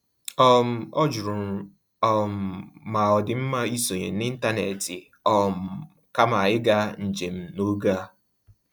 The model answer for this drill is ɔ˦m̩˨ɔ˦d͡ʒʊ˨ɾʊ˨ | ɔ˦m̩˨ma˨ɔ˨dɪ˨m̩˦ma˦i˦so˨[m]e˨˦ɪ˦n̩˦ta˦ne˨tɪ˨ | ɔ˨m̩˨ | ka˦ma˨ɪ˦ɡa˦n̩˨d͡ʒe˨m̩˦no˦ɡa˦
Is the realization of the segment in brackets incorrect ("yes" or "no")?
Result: yes